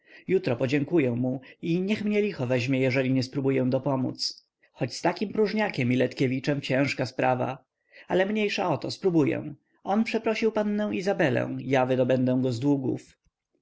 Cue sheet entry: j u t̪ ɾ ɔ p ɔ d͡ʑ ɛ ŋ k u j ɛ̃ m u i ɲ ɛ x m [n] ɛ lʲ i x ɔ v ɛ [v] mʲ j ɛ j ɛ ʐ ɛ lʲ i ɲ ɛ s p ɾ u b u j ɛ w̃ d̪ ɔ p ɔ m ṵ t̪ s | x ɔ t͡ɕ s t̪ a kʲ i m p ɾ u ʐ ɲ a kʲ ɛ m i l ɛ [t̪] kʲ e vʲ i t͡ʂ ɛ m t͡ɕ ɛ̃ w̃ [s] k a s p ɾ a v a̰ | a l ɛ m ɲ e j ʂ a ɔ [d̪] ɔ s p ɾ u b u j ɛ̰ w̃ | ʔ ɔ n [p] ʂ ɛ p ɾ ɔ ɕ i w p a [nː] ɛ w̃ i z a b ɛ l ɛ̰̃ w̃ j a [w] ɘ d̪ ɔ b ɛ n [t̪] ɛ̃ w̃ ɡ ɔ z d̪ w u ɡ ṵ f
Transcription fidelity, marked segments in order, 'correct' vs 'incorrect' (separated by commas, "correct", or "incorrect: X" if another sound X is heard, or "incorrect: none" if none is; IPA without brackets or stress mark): incorrect: ɲ, incorrect: ʑ, correct, incorrect: ʂ, incorrect: t̪, correct, correct, incorrect: v, incorrect: d̪